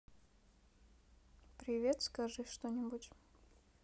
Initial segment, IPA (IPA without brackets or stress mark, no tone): p